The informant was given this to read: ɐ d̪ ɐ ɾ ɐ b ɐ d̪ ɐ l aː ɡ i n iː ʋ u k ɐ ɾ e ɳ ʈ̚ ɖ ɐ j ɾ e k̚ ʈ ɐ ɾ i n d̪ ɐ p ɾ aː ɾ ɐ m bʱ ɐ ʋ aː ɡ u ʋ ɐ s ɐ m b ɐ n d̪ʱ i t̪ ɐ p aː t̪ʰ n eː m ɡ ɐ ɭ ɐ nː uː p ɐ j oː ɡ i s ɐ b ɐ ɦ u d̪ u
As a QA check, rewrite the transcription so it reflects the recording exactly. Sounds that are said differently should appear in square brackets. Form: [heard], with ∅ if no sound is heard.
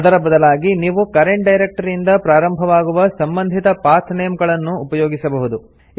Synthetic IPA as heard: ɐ d̪ ɐ ɾ ɐ b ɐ d̪ ɐ l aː ɡ i n iː ʋ u k ɐ ɾ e ɳ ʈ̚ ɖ ɐ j ɾ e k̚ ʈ ɐ ɾ i n d̪ ɐ p ɾ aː ɾ ɐ m bʱ ɐ ʋ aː ɡ u ʋ ɐ s ɐ m b ɐ n d̪ʱ i t̪ ɐ p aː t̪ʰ n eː m ɡ ɐ ɭ ɐ nː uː p ɐ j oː ɡ i s ɐ b ɐ ɦ u d̪ u

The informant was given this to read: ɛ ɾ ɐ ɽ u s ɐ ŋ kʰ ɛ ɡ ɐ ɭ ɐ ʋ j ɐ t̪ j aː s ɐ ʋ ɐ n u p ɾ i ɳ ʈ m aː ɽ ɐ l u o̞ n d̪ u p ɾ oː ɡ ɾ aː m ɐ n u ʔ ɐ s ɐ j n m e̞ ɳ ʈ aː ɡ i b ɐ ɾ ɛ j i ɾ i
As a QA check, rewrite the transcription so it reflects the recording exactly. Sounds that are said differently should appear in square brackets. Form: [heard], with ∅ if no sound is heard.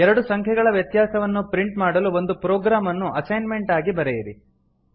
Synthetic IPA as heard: ɛ ɾ ɐ ɽ u s ɐ ŋ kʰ ɛ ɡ ɐ ɭ ɐ ʋ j ɐ t̪ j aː s ɐ ʋ ɐ [nː] u p ɾ i ɳ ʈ m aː ɽ ɐ l u o̞ n d̪ u p ɾ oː ɡ ɾ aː m ɐ [nː] u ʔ ɐ s ɐ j n m e̞ ɳ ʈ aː ɡ i b ɐ ɾ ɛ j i ɾ i

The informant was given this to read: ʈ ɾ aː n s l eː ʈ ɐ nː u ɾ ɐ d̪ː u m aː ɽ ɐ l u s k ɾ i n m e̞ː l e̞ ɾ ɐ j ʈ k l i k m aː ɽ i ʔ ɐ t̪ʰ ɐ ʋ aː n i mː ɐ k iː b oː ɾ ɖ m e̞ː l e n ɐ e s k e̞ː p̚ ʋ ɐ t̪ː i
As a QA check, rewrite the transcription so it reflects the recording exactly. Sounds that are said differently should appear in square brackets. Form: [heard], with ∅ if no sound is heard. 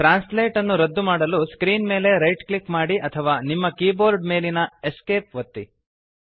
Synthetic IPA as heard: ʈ ɾ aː n s l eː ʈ ɐ nː u ɾ ɐ d̪ː u m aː ɽ ɐ l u s k ɾ [iː] n m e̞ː l e̞ ɾ ɐ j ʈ k l i k m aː ɽ i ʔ ɐ t̪ʰ ɐ ʋ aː n i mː ɐ k iː b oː ɾ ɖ m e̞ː l [i] n ɐ e s k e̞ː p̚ ʋ ɐ t̪ː i

